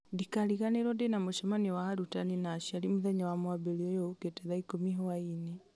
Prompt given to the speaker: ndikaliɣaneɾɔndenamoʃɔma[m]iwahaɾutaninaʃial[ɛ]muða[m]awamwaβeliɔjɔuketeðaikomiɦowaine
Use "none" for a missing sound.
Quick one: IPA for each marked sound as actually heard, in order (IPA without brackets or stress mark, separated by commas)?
n, i, ɲ